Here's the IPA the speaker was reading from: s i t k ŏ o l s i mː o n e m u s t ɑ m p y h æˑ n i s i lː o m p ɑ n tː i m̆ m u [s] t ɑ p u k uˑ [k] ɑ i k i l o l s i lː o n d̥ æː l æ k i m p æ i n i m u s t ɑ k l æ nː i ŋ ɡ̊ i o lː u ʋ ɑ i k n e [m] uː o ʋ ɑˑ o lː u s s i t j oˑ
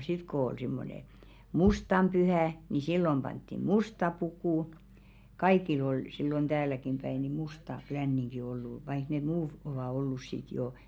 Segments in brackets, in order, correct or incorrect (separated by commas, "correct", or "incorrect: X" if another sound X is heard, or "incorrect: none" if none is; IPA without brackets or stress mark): correct, correct, correct